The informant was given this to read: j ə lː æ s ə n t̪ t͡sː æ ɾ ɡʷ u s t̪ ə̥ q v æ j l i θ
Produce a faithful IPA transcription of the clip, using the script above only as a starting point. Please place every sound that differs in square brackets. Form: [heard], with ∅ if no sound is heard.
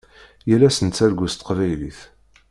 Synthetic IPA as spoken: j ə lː æ s ə n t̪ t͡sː æ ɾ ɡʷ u s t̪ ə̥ q v æ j l i θ